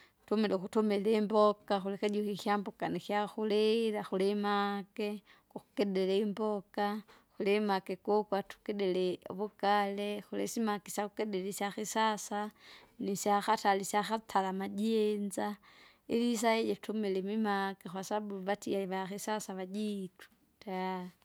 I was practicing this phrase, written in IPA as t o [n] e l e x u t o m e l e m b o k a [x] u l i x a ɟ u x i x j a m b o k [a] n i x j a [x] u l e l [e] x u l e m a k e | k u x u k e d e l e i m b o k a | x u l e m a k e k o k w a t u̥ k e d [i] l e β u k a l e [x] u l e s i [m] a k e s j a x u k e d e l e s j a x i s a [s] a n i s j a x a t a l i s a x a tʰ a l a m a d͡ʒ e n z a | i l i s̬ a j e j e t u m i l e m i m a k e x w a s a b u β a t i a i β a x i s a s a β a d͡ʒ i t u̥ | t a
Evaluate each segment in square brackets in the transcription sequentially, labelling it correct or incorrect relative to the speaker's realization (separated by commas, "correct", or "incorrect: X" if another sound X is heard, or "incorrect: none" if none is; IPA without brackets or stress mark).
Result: incorrect: m, correct, correct, correct, incorrect: a, incorrect: e, correct, correct, correct